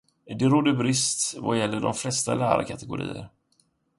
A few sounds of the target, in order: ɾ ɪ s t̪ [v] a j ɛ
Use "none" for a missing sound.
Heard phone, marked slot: v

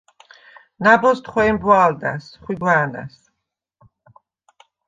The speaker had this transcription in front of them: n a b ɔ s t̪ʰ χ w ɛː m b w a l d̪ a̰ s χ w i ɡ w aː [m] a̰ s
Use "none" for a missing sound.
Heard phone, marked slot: n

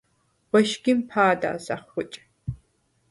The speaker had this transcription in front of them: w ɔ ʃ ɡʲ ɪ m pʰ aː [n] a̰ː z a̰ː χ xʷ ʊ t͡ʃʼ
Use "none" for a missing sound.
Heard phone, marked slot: d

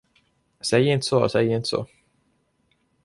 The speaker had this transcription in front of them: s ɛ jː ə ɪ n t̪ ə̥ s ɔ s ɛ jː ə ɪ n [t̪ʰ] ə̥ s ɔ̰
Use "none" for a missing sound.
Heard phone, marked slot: t̪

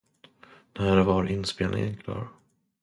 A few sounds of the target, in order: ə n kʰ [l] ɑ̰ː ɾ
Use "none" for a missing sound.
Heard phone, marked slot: l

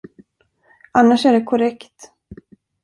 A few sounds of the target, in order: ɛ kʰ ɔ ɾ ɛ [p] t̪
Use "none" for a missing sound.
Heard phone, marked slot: k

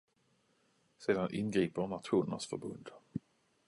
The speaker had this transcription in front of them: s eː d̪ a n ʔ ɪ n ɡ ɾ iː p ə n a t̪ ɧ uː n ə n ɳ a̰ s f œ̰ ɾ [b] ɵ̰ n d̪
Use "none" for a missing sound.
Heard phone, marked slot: b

